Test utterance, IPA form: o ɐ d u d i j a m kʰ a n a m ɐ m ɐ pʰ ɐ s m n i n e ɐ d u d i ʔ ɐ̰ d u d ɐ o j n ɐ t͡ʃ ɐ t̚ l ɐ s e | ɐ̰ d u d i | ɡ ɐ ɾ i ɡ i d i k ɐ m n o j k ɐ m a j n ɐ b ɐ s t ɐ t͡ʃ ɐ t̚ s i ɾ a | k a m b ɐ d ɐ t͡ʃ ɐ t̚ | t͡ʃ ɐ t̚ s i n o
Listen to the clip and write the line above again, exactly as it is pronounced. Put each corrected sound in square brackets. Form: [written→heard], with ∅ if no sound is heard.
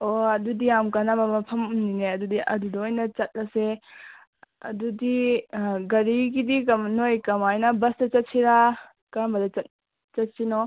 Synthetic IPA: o ɐ d u d i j a m [kʰ→k] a n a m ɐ m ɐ pʰ ɐ [s→∅] m n i n e ɐ d u d i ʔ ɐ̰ d u d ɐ o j n ɐ t͡ʃ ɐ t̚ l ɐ s e | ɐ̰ d u d i | ɡ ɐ ɾ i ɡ i d i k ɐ m n o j k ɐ m a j n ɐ b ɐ s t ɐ t͡ʃ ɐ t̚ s i ɾ a | k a m b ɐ d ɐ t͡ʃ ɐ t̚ | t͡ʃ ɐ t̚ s i n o